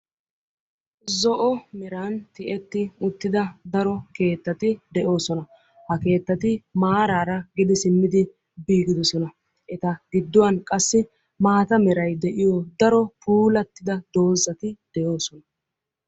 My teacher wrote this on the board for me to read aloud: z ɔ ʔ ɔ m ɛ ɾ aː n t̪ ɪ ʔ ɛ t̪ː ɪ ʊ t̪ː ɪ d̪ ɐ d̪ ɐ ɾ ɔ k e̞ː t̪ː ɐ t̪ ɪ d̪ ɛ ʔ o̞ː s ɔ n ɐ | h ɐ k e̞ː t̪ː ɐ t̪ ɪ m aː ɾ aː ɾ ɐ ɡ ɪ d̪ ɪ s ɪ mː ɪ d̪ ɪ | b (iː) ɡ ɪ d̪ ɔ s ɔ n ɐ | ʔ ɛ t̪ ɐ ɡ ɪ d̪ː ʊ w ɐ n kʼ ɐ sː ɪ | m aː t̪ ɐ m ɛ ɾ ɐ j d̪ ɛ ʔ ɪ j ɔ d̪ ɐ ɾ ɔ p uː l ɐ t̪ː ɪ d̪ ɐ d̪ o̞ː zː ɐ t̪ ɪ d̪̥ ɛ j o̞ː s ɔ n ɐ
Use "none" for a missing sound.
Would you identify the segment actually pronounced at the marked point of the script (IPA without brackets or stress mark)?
iː